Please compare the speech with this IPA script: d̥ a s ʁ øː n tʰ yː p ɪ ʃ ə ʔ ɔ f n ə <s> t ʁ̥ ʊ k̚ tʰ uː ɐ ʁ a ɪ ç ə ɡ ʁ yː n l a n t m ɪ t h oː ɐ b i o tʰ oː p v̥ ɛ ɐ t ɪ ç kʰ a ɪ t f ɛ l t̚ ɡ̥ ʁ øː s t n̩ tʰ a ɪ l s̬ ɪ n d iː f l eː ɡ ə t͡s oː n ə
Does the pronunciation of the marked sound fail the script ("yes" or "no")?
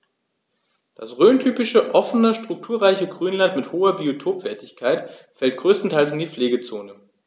yes